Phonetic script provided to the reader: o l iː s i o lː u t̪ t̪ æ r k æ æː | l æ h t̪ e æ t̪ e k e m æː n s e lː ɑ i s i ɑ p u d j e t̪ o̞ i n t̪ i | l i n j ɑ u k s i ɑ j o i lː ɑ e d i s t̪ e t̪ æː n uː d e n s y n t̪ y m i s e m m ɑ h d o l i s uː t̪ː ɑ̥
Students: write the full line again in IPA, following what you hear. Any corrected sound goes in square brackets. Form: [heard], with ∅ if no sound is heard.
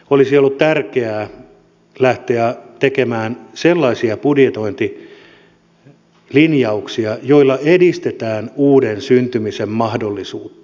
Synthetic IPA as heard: o l [i] s i o lː u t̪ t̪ æ r k [e] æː | l æ h t̪ e æ t̪ e k e m æː n s e lː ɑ i s i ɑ p u d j e t̪ o̞ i n t̪ i | l i n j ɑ u k s i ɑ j o i lː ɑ e d i s t̪ e t̪ æː n uː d e n s y n t̪ y m i s e m m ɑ h d o [lː] i s uː t̪ː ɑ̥